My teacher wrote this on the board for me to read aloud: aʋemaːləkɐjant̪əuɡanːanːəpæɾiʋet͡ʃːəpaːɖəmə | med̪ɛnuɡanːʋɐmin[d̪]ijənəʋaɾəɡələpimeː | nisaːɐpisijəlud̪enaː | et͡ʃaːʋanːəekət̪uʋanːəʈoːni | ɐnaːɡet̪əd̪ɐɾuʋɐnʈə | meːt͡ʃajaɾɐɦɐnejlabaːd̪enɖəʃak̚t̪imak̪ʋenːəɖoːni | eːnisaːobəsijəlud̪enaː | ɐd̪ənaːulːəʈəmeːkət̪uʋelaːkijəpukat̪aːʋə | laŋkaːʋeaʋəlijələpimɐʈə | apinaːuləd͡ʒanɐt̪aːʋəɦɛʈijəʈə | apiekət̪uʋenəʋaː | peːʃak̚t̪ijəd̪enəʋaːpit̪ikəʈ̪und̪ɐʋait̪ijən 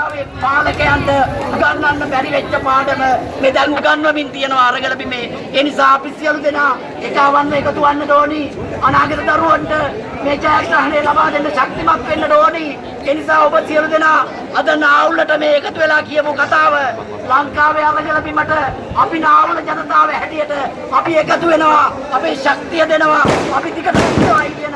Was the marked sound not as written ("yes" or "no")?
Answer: yes